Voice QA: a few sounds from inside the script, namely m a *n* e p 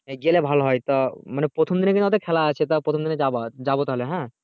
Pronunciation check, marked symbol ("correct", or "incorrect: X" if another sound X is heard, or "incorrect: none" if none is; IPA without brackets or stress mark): correct